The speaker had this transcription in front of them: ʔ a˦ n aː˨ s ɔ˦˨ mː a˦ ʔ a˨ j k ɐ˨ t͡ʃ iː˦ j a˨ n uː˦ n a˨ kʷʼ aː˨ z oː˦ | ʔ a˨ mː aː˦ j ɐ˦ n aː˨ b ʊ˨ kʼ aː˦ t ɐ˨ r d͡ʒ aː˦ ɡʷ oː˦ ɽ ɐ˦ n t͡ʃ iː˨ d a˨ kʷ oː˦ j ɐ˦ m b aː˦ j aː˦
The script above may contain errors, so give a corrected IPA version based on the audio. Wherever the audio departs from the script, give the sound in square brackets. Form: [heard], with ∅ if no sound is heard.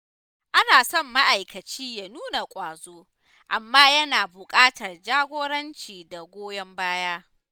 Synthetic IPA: ʔ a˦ n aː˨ s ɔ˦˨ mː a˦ ʔ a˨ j k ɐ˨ t͡ʃ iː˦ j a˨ n uː˦ n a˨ kʷʼ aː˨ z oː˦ | ʔ a˨ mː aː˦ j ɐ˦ n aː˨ b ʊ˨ kʼ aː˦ t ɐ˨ r d͡ʒ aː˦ ɡʷ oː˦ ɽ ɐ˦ n t͡ʃ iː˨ d a˨ [ɡʷ] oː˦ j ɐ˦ m b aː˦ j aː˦